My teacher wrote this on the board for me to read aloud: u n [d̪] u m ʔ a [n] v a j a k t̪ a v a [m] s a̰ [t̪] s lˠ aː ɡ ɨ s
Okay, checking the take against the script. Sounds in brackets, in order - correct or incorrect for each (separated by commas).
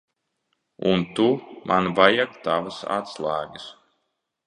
incorrect, correct, incorrect, correct